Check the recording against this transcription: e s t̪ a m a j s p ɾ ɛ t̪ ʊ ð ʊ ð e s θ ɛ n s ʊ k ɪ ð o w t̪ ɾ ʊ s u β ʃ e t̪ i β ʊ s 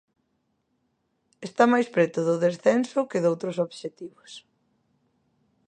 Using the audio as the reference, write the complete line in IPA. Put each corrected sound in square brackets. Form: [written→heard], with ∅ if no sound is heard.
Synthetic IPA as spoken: e s t̪ a m a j s p ɾ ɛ t̪ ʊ ð ʊ ð e s θ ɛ n s ʊ k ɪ ð o w t̪ ɾ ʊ s [u→o] β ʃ e t̪ i β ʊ s

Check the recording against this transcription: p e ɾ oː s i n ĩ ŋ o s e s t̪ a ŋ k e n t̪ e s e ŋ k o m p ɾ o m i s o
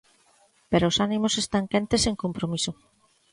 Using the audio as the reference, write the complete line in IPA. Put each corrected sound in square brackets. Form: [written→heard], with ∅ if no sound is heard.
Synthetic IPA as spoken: p e ɾ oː s [i→a] n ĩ [ŋ→m] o s e s t̪ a ŋ k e n t̪ e s e ŋ k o m p ɾ o m i s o

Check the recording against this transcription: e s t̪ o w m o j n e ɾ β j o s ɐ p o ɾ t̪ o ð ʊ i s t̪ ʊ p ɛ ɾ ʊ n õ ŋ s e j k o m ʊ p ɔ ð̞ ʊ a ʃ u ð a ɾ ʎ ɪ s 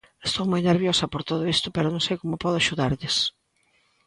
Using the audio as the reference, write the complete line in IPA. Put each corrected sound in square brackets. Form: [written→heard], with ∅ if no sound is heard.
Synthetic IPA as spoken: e s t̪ o w m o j n e ɾ β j o s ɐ p o ɾ t̪ o ð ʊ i s t̪ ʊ p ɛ ɾ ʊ n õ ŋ s e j k o m ʊ p ɔ ð̞ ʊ a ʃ u ð a ɾ ʎ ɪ s

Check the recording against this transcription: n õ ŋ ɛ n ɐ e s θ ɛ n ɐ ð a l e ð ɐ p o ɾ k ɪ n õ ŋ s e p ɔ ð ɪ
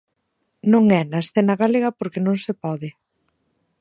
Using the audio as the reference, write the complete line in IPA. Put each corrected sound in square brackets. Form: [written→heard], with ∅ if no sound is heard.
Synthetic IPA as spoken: n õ ŋ ɛ n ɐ e s θ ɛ n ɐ [ð→ɣ] a l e [ð→ɣ] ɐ p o ɾ k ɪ n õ ŋ s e p ɔ ð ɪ

